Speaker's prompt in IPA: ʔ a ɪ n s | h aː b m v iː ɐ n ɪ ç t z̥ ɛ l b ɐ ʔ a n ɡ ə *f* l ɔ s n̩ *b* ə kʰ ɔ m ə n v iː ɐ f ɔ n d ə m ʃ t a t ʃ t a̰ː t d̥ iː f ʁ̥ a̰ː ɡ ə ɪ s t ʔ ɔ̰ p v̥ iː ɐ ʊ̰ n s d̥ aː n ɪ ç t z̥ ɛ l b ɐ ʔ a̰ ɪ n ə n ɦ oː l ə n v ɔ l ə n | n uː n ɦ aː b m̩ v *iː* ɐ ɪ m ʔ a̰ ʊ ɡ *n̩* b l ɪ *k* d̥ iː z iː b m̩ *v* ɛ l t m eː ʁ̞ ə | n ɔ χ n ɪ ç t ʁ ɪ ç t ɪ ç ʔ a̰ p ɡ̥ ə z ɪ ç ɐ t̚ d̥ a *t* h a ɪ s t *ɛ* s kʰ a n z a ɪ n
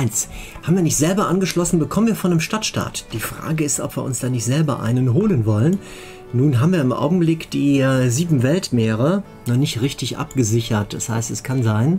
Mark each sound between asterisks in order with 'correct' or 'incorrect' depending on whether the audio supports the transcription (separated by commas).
incorrect, correct, correct, incorrect, correct, correct, incorrect, correct